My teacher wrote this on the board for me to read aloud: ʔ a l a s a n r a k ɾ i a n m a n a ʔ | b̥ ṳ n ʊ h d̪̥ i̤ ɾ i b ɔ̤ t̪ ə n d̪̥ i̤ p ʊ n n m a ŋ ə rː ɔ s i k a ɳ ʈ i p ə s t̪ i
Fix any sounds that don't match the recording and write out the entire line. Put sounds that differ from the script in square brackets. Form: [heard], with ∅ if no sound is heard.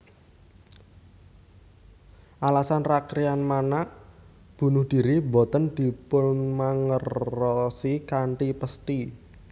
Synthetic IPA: ʔ a l a s a n r a k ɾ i a n m a n a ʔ | b̥ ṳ n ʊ h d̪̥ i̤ ɾ i b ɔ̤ t̪ ə n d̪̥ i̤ p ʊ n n m a ŋ ə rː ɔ s i k a ɳ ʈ i p ə s t̪ i